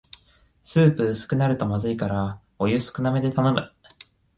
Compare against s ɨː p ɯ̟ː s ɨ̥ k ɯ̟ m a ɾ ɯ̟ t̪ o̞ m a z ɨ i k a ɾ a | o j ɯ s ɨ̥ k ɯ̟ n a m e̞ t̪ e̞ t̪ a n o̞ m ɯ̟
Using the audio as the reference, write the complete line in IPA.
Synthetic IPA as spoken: s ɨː p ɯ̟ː s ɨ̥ k ɯ̟ n a ɾ ɯ̟ t̪ o̞ m a z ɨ i k a ɾ a | o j ɯ s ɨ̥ k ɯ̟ n a m e̞ d̪ e̞ t̪ a n o̞ m ɯ̟